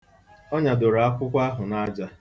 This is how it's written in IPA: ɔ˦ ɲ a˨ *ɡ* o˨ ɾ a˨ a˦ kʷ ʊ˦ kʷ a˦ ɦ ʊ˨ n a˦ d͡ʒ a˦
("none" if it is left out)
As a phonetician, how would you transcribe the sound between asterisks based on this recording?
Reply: d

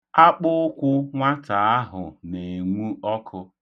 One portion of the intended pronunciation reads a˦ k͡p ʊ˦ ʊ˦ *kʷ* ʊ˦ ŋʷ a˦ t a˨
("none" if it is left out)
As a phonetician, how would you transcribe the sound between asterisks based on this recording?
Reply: kʷ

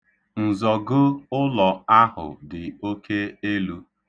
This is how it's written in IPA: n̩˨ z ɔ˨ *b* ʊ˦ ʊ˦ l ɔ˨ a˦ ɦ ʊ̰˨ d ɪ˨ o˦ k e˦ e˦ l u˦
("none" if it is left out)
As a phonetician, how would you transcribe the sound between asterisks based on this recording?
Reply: ɡ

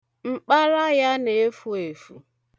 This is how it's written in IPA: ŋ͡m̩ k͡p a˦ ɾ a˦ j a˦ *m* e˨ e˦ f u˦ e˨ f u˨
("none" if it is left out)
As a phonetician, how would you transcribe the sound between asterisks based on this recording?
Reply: n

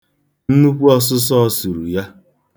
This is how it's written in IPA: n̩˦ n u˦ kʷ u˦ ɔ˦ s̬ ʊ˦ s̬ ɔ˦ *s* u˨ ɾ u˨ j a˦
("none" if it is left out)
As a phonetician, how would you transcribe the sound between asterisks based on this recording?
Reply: s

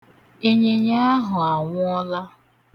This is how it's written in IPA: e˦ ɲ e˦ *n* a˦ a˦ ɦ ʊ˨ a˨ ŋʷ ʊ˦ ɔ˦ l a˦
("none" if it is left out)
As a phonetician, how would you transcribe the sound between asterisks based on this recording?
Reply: ɲ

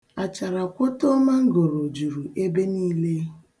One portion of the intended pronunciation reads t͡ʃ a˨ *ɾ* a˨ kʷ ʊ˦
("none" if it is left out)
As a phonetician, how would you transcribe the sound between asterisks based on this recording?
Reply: ɾ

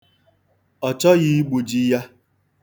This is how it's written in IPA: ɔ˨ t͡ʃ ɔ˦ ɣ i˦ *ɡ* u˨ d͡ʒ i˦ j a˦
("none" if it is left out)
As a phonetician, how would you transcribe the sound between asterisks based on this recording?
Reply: ɡ͡b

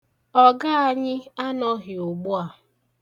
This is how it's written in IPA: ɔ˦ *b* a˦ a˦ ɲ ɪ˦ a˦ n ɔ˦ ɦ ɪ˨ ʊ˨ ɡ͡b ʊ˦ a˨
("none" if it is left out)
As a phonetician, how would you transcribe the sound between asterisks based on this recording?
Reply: ɡ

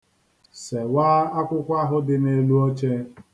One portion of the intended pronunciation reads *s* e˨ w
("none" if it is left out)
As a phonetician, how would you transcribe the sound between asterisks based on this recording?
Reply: s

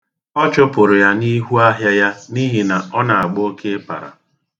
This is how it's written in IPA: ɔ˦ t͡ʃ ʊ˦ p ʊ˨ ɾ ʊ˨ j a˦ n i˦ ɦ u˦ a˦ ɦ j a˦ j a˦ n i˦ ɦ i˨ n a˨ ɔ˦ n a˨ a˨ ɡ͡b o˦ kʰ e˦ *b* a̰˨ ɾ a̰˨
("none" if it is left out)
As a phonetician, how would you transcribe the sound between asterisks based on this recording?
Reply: p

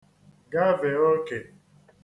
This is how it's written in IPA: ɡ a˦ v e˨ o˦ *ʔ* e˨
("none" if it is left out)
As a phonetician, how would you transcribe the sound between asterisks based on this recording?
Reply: k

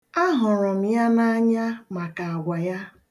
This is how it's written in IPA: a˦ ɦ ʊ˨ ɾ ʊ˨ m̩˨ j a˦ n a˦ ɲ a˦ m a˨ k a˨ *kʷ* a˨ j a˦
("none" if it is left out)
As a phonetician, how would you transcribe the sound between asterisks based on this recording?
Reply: ɡʷ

